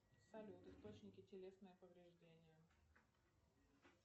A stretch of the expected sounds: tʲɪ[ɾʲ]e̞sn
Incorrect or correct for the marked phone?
incorrect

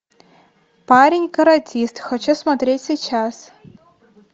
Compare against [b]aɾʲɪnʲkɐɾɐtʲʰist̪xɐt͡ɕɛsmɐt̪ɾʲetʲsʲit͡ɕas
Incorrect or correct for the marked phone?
incorrect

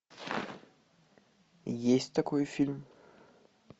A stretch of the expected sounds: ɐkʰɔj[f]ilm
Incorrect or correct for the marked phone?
correct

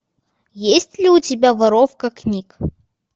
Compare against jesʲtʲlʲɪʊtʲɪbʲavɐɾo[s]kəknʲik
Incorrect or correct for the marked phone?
incorrect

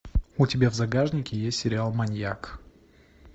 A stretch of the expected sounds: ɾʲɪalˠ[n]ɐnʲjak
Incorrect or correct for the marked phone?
incorrect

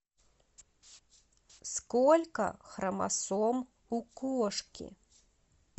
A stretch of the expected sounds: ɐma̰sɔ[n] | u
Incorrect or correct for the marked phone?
incorrect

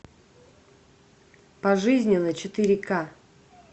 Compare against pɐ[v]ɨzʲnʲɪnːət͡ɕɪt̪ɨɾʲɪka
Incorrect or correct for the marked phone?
incorrect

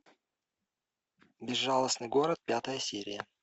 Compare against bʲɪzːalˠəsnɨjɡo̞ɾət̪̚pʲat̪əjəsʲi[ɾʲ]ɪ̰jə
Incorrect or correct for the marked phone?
correct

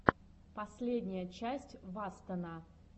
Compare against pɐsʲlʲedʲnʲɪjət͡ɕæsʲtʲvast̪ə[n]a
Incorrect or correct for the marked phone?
correct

